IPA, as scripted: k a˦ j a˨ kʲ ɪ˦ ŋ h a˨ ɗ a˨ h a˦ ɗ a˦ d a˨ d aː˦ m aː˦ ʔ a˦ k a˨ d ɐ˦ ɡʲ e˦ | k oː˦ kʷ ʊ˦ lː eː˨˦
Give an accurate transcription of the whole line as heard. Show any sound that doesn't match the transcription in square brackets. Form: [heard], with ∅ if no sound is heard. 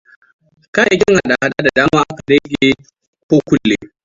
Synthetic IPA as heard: k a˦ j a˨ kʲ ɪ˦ ŋ h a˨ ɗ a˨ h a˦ ɗ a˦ d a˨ d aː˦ m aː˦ ʔ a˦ k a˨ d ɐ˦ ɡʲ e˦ | k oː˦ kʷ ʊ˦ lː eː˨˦